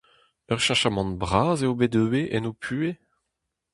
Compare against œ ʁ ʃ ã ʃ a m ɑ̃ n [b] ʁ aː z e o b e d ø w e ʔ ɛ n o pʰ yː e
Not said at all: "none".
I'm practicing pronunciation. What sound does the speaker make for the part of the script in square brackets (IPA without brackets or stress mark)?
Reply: b